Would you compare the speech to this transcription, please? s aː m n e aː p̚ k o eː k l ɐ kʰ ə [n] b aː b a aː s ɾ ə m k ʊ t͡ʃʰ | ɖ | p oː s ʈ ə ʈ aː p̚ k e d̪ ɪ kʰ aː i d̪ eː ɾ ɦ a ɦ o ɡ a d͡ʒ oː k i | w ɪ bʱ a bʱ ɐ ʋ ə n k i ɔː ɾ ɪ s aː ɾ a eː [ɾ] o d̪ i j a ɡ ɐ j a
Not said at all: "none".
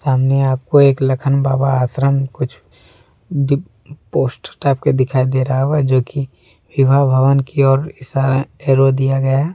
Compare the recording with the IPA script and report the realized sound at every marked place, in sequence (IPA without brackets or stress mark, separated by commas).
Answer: n, ɾ